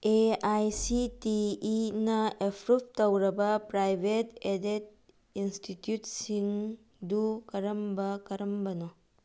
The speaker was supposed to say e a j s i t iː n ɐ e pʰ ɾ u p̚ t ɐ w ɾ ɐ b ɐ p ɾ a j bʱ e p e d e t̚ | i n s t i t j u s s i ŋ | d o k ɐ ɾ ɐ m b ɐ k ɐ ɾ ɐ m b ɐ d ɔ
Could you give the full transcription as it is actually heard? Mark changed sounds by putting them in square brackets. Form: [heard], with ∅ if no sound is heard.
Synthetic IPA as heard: e a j s i t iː n ɐ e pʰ ɾ u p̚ t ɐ w ɾ ɐ b ɐ p ɾ a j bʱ e [t] e d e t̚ | i n s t i t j u [t] s i ŋ | d [u] k ɐ ɾ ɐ m b ɐ k ɐ ɾ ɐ m b ɐ [n] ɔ